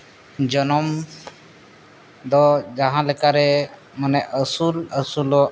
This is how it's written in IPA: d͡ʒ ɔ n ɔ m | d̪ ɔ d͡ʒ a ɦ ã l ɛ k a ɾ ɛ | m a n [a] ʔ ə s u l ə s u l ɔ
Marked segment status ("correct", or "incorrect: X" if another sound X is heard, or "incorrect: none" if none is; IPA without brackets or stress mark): incorrect: ɛ